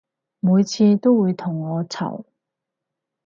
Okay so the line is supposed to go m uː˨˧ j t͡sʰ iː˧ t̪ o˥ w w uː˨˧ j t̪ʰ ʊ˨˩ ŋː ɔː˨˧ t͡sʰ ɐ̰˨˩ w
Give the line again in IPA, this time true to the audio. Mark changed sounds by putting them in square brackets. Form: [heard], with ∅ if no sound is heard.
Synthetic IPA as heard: m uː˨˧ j t͡sʰ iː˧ t̪ o˥ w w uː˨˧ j t̪ʰ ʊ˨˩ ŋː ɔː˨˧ t͡sʰ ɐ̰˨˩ w